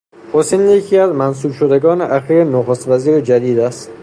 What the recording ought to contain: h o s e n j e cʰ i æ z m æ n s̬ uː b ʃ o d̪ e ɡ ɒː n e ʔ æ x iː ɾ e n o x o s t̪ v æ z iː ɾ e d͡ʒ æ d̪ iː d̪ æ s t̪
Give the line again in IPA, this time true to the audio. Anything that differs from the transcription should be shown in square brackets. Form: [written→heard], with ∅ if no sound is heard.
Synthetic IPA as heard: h o s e n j e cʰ i æ z m æ n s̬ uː b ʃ o d̪ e ɡ ɒː n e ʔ æ x iː ɾ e n o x o s t̪ v æ z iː ɾ e d͡ʒ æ d̪ iː d̪ æ s t̪